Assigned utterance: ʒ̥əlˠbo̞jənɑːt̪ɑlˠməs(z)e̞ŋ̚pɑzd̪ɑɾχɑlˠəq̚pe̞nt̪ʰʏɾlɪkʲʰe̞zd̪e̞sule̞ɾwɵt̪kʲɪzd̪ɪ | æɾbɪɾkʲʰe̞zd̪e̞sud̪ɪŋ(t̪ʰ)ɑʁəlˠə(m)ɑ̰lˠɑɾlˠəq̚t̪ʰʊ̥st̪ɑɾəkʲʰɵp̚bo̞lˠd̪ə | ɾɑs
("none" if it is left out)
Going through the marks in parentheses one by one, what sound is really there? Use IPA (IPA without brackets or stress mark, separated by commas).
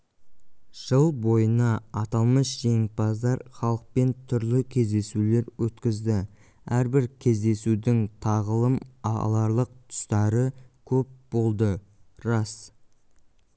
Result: ʒ, t̪ʰ, m